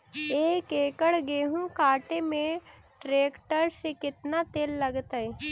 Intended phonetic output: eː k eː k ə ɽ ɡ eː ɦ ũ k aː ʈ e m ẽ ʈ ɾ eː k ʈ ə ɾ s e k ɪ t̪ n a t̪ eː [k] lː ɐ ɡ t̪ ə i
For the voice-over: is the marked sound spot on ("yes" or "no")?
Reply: no